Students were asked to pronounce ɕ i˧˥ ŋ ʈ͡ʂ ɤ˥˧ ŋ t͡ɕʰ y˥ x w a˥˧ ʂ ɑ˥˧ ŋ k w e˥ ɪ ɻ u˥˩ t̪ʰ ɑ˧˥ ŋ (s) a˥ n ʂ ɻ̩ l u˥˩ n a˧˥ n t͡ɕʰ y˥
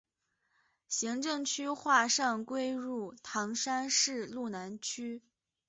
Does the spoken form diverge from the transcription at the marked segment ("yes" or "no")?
yes